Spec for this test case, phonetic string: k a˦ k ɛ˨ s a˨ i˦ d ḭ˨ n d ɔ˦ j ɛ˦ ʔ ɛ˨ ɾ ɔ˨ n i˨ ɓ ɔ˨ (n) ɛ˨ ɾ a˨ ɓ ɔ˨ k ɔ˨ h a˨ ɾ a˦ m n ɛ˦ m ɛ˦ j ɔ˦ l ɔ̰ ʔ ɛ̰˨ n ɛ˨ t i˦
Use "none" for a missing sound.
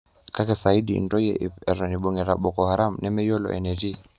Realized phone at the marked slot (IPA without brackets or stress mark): ŋ